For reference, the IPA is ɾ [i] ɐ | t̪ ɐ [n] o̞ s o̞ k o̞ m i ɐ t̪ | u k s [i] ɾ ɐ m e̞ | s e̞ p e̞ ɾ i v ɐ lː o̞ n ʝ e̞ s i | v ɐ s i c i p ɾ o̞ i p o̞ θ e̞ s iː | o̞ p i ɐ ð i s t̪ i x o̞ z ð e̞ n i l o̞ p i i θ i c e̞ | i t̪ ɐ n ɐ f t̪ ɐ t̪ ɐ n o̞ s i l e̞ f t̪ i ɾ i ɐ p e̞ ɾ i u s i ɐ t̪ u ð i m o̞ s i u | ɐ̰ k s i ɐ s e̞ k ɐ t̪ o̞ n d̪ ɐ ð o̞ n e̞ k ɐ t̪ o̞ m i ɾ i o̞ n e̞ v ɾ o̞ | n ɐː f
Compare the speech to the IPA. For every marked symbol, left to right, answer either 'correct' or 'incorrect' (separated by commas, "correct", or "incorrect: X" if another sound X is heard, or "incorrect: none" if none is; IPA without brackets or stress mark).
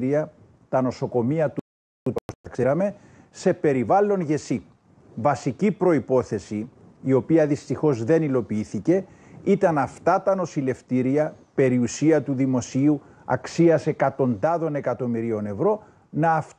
correct, correct, incorrect: e